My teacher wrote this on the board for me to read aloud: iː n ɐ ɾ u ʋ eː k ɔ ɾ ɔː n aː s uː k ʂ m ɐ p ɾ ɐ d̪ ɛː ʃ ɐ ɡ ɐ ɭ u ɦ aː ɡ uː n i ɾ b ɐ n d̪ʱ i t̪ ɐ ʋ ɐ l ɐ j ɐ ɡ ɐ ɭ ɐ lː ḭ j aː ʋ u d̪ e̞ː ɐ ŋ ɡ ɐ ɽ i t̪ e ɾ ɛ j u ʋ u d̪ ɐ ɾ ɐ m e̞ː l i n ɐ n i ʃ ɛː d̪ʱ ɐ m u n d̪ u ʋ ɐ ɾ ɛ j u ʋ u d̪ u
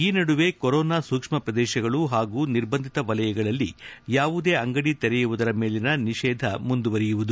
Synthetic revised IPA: iː n ɐ ɽ u ʋ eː k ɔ ɾ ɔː n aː s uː k ʂ m ɐ p ɾ ɐ d̪ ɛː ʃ ɐ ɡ ɐ ɭ u ɦ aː ɡ uː n i ɾ b ɐ n d̪ʱ i t̪ ɐ ʋ ɐ l ɐ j ɐ ɡ ɐ ɭ ɐ lː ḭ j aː ʋ u d̪ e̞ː ɐ ŋ ɡ ɐ ɽ i t̪ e ɾ ɛ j u ʋ u d̪ ɐ ɾ ɐ m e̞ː l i n ɐ n i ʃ ɛː d̪ʱ ɐ m u n d̪ u ʋ ɐ ɾ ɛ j u ʋ u d̪ u